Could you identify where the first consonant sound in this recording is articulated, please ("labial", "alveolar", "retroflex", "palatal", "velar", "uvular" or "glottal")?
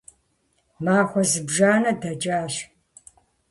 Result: labial